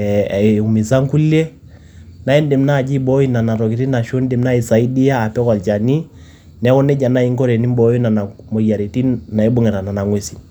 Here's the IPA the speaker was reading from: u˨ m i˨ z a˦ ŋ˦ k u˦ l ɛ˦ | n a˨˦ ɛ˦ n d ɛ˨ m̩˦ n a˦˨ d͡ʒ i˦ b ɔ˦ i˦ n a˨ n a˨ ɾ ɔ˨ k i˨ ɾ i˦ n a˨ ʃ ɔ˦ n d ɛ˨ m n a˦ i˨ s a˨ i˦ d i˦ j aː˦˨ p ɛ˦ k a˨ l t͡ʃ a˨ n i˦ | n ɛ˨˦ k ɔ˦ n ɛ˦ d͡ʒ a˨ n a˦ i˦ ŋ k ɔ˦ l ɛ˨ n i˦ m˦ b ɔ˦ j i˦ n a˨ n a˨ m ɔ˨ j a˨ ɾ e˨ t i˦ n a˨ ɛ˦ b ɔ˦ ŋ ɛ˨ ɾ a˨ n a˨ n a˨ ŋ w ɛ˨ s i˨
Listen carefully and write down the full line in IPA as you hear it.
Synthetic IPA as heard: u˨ m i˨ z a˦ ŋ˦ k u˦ l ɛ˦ | n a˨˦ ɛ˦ n d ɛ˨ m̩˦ n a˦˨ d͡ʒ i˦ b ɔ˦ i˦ n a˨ n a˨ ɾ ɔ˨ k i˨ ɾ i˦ n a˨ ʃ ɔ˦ n d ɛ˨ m n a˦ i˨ s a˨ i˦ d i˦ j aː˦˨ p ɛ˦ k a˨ l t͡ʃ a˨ n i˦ | n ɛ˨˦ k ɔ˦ n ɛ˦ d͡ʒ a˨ n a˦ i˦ ŋ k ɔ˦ ɾ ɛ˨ n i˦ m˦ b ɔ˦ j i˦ n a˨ n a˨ m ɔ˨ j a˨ ɾ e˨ t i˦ n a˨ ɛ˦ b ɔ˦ ŋ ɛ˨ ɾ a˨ n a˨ n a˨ ŋ w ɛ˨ s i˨